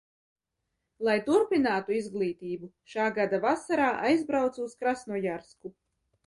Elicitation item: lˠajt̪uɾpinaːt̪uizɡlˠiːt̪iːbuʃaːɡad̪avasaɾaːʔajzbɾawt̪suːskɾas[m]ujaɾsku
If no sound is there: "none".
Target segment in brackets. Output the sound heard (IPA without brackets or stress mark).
n